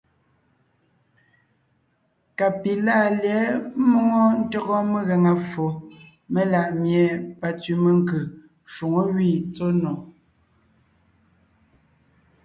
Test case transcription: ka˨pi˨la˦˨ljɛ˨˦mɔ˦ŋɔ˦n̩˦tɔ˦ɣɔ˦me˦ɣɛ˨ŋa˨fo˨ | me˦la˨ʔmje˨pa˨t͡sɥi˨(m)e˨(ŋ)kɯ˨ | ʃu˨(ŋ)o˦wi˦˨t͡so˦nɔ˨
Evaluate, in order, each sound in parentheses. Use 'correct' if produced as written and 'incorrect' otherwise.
correct, correct, correct

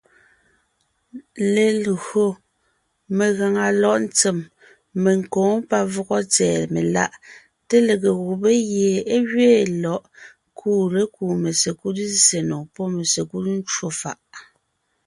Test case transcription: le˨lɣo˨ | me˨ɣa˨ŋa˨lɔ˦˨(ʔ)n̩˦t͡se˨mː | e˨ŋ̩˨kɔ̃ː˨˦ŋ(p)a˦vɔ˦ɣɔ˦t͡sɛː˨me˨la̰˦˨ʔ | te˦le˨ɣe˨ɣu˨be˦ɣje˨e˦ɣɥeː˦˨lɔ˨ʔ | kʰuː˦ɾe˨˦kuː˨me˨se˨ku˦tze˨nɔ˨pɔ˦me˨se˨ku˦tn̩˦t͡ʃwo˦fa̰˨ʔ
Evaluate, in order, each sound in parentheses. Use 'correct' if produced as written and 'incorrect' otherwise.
correct, correct

